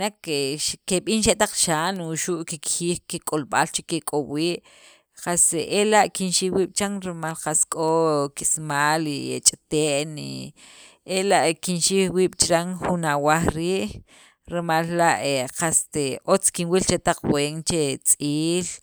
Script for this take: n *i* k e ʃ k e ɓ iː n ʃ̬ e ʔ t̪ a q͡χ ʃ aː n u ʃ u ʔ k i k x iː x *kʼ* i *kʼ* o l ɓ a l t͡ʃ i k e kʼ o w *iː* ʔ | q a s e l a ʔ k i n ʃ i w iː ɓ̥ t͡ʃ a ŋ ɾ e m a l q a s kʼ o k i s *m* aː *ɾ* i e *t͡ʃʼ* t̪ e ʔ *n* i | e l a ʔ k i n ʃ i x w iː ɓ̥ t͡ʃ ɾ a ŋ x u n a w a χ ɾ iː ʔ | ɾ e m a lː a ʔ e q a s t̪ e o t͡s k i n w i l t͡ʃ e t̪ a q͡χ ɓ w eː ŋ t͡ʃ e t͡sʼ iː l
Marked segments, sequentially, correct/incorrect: incorrect, incorrect, correct, correct, correct, incorrect, correct, correct

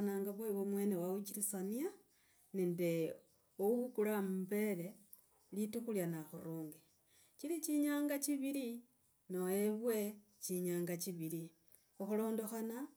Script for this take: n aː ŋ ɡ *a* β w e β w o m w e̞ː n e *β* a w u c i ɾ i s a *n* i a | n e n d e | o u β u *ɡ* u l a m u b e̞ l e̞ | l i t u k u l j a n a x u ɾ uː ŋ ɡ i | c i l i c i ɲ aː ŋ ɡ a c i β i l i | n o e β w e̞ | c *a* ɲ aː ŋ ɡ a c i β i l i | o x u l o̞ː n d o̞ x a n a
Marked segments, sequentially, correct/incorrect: correct, incorrect, correct, incorrect, incorrect

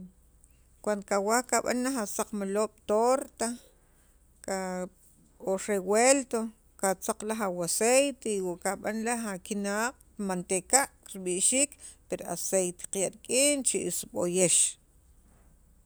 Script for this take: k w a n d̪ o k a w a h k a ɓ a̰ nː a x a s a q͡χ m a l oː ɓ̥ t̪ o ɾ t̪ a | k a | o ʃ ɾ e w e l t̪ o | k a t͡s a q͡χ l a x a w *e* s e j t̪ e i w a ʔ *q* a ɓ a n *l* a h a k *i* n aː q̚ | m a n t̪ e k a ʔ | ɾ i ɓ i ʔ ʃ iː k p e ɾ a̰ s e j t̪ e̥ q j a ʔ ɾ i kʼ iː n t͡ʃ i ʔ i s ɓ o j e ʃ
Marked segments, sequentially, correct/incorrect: incorrect, incorrect, correct, correct

